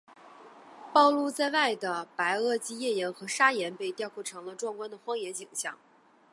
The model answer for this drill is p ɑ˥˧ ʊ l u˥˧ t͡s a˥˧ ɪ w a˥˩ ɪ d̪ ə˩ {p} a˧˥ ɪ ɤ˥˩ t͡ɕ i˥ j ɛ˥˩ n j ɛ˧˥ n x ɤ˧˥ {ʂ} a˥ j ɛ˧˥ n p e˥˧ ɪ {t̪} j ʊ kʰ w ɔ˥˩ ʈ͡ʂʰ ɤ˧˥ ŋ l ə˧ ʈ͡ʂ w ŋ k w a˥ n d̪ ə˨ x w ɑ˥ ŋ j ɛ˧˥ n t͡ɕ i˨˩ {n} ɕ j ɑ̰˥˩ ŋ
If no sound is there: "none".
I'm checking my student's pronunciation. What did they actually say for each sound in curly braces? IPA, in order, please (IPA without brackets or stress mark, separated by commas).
p, ʂ, t̪, ŋ